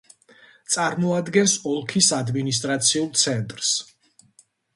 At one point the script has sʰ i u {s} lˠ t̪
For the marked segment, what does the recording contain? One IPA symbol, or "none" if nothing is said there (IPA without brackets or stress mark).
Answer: none